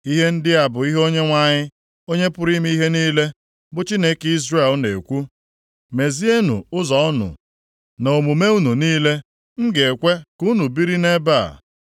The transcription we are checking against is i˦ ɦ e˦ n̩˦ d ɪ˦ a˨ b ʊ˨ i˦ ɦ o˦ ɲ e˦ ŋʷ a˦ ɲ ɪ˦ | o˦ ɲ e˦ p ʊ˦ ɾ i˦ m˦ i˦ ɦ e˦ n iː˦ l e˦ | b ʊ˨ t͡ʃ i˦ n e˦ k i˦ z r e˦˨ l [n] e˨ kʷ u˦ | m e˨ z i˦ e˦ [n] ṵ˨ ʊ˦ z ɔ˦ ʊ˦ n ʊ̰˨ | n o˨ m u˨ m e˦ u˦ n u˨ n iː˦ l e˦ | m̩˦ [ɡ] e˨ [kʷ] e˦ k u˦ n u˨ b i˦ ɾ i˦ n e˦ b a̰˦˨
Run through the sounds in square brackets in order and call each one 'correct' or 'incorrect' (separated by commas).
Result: correct, correct, correct, correct